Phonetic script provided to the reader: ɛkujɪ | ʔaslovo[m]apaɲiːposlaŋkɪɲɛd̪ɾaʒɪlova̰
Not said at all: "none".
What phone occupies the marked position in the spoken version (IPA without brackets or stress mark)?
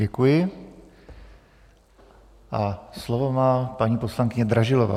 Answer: m